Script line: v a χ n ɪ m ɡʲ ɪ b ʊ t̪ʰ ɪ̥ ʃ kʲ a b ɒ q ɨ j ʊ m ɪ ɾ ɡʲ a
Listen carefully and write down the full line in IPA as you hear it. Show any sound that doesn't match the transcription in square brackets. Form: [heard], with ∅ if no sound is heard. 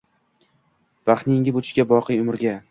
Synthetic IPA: v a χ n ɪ [ŋ] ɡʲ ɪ b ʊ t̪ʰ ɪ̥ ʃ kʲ a b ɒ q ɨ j ʊ m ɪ ɾ ɡʲ a